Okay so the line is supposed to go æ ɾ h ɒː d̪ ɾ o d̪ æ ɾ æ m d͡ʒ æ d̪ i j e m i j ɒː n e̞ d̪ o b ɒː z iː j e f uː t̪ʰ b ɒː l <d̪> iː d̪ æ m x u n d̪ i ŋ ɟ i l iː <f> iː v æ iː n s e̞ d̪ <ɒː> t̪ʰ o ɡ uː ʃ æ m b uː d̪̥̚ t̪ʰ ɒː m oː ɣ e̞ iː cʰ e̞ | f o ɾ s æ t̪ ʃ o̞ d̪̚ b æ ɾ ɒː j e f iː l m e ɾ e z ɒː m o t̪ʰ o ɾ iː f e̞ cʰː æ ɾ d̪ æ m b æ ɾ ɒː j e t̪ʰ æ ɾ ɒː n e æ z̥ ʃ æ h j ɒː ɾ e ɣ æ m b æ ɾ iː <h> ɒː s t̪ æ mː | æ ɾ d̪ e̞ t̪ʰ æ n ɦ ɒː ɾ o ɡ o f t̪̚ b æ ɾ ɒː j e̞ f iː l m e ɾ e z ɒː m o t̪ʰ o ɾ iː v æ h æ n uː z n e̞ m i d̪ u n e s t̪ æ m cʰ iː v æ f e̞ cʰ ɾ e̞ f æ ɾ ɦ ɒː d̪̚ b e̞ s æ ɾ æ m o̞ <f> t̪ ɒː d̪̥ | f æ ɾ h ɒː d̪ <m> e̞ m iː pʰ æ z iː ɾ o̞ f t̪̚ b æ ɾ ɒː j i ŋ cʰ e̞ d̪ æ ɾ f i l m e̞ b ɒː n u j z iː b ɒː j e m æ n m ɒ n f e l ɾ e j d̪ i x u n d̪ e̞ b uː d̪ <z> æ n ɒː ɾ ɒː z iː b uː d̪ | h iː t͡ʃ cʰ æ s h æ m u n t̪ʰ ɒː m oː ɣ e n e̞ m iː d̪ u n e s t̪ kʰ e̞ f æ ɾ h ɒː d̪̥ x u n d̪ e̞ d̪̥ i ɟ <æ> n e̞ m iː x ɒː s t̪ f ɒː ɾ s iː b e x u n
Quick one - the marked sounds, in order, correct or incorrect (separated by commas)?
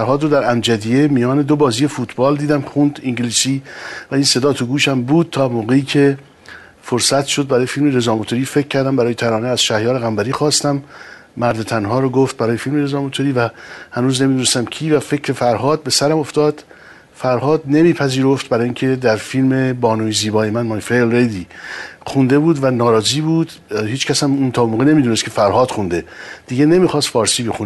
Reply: correct, incorrect, correct, incorrect, correct, incorrect, incorrect, incorrect